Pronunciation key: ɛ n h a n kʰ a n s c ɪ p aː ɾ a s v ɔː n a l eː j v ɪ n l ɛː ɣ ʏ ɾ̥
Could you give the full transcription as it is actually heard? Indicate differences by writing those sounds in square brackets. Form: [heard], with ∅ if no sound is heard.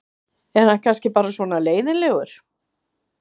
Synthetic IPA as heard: ɛ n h a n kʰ a n s c ɪ p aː ɾ a s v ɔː n a l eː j [ð] ɪ n l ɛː ɣ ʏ ɾ̥